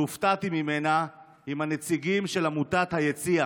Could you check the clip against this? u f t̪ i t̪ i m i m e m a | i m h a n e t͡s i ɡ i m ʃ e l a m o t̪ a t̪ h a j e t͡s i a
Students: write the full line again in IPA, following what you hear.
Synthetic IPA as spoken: u f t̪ a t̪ i m i m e n a | i m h a n e t͡s i ɡ i m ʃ e l a m u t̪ a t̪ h a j e t͡s i a

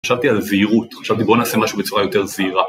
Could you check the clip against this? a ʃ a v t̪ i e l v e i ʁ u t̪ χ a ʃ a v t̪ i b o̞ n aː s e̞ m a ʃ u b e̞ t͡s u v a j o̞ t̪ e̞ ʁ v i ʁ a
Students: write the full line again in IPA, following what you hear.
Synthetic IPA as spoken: a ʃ a v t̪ i a l z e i ʁ u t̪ χ a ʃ a v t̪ i b o̞ n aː s e̞ m a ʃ u b e̞ t͡s u ʁ a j o̞ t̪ e̞ ʁ z i ʁ a

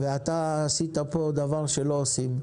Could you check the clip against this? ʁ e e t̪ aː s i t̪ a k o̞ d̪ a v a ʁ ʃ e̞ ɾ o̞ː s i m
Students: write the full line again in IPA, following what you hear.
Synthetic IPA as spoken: v e a t̪ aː s i t̪ a p o̞ d̪ a v a ʁ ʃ e̞ l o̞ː s i m

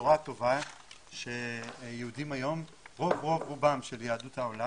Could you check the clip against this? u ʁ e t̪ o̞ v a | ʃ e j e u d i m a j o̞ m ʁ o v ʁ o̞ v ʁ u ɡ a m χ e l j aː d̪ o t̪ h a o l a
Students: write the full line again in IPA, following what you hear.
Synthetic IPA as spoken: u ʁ a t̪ o̞ v a | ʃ e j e u d i m a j o̞ m ʁ o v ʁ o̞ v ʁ u b a m ʃ e l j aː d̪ u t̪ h a o l a

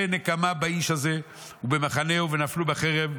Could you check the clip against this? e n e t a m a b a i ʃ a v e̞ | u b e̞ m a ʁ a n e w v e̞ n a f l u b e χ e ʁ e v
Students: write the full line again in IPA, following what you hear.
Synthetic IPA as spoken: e n e k a m a b a i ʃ a z e̞ | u b e̞ m a χ a n e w v e̞ n a f l u b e χ e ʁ e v

